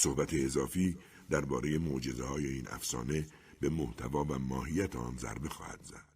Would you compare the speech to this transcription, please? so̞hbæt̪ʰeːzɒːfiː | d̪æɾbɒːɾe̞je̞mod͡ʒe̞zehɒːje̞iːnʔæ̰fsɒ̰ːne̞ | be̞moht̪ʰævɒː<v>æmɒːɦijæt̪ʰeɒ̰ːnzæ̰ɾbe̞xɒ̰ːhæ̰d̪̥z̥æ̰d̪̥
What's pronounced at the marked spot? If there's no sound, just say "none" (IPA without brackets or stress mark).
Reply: v